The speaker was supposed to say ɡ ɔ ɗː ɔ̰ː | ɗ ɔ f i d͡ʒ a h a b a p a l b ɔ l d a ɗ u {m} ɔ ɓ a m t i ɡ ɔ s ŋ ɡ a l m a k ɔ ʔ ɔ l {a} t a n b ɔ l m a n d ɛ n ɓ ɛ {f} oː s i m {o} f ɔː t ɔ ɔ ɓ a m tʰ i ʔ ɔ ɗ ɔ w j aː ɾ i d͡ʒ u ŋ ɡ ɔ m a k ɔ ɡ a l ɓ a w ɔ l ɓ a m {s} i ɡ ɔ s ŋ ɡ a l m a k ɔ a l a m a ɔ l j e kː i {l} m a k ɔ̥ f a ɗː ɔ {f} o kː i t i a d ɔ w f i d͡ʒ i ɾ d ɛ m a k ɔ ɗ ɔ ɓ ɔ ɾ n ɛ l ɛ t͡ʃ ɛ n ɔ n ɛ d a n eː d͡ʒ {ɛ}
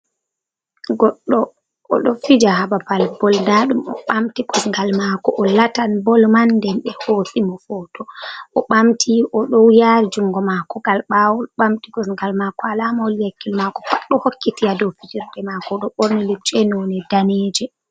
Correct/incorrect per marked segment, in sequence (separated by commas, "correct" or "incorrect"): correct, correct, incorrect, incorrect, incorrect, correct, incorrect, correct